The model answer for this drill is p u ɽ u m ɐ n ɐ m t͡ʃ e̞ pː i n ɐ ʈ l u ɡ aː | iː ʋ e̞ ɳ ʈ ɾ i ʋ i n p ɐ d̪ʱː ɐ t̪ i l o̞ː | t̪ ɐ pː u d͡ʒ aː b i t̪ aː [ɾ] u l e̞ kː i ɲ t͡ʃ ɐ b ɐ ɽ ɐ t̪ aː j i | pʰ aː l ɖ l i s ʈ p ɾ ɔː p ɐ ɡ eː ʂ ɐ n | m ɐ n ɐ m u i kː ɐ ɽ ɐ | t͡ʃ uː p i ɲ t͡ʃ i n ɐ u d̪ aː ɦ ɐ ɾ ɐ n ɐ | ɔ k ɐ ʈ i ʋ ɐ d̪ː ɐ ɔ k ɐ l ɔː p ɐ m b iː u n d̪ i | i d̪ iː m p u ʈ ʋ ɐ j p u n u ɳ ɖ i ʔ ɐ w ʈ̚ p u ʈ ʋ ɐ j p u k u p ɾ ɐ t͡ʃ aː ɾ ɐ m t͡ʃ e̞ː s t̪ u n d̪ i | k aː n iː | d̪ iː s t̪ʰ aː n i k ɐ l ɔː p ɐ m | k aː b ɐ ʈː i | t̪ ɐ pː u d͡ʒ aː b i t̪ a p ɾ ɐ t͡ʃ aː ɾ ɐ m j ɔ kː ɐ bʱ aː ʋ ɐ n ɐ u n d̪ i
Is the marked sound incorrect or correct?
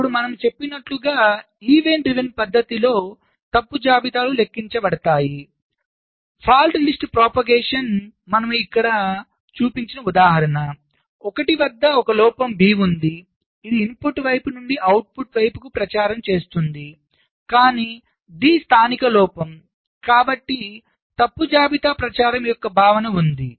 incorrect: l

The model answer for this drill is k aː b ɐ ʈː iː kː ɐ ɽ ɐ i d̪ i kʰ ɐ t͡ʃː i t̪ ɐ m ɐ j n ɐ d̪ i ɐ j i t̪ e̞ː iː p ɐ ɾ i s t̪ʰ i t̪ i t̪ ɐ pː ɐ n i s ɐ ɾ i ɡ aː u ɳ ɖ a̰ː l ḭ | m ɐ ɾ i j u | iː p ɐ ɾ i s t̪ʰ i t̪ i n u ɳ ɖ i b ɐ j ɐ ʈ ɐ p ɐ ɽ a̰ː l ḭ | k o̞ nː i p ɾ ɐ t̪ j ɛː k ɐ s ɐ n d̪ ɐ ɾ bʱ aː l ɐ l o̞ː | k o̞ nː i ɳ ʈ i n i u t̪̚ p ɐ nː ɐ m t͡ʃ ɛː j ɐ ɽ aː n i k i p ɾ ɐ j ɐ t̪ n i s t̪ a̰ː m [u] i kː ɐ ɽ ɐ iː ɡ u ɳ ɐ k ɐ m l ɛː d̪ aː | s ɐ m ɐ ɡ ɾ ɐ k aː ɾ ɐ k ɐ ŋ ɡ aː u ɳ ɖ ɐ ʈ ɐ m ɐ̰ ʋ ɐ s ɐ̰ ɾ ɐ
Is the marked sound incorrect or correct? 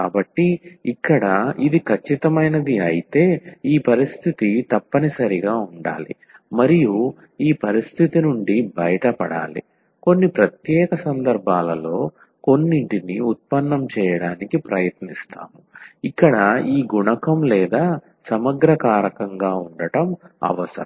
correct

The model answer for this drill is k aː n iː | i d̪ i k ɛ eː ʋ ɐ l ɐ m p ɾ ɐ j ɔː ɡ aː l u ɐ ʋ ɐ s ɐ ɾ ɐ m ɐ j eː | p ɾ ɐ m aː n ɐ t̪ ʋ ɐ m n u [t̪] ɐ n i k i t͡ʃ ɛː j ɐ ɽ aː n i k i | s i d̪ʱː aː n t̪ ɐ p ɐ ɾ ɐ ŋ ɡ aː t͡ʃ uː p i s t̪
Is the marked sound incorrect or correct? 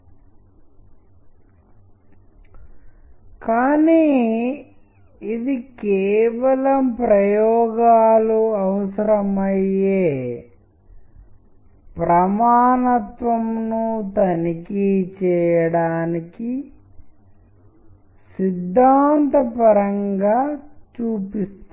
correct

